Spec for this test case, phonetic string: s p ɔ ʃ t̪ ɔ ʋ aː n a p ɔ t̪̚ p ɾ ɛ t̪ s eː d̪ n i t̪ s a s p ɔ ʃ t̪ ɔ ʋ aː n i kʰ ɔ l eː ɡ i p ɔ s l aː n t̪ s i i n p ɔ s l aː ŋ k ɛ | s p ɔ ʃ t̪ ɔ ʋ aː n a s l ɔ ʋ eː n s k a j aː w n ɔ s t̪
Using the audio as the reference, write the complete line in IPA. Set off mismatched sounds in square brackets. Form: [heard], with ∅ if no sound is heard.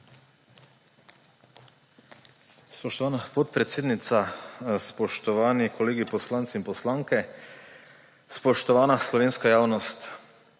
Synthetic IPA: s p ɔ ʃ t̪ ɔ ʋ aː n a p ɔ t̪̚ p ɾ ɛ t̪ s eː d̪ n i t̪ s a s p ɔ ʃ t̪ ɔ ʋ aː n i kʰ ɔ l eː ɡ i p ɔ s l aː n t̪ s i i n p ɔ s l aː ŋ k ɛ | s p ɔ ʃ t̪ ɔ ʋ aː n a s l ɔ ʋ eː n s k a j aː w n ɔ s t̪